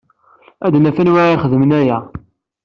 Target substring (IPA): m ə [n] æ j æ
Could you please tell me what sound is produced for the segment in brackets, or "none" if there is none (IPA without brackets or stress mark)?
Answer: n